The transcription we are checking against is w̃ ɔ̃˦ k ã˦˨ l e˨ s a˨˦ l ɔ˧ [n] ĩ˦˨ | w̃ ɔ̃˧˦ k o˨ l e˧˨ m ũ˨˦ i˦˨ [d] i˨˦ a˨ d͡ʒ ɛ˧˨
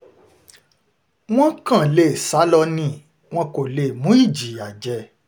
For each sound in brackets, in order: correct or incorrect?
correct, incorrect: d͡ʒ

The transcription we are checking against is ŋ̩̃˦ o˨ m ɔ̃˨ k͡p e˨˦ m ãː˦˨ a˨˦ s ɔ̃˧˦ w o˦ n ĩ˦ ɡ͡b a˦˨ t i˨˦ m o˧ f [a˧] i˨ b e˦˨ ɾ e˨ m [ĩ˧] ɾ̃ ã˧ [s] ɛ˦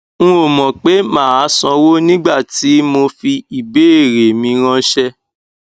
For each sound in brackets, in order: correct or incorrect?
incorrect: i˧, correct, incorrect: ʃ

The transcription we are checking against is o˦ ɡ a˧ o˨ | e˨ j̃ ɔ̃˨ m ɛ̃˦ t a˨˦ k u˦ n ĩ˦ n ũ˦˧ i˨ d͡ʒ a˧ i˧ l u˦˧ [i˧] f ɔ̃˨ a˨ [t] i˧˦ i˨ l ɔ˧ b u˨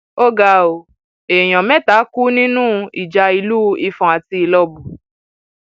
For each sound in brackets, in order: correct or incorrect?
correct, correct

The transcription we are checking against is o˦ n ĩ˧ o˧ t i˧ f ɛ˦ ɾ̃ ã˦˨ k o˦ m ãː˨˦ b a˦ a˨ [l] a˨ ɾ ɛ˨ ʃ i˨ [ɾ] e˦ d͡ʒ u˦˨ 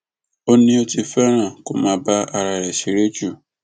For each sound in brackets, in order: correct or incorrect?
incorrect: ɾ, correct

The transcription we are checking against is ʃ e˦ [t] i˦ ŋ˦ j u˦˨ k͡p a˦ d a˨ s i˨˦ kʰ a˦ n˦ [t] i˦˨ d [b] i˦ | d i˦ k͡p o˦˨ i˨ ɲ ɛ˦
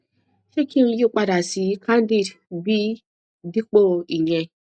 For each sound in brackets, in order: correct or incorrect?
incorrect: k, incorrect: d, correct

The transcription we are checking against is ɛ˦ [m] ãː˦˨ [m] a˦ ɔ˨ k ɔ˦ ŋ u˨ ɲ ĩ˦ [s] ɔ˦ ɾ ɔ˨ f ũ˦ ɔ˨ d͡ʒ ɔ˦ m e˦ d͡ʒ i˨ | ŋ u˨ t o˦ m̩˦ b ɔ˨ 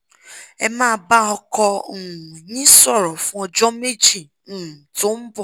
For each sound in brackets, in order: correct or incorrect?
correct, incorrect: b, correct

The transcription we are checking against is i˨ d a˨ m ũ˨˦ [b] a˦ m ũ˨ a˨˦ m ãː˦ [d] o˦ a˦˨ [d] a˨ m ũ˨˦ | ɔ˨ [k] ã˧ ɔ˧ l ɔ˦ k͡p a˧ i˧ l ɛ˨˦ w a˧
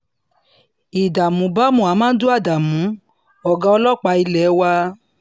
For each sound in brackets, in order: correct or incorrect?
correct, correct, correct, incorrect: ɡ

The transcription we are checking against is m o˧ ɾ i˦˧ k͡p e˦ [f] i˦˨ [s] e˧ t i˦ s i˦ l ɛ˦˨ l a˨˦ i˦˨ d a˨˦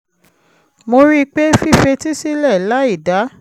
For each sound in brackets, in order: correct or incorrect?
correct, incorrect: f

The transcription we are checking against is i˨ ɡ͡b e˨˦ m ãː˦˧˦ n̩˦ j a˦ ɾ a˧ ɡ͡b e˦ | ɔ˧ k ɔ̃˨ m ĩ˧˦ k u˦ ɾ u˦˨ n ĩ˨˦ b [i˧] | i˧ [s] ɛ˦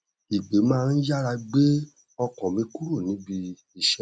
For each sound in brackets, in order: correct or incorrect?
correct, incorrect: ʃ

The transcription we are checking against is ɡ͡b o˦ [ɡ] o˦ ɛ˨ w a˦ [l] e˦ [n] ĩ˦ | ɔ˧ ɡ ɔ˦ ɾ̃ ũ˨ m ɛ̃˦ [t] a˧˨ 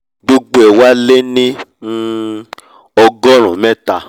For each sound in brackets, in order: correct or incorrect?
incorrect: ɡ͡b, correct, correct, correct

